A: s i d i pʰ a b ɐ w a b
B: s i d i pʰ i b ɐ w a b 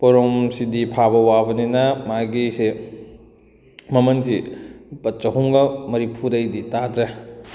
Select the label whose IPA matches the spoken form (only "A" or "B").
A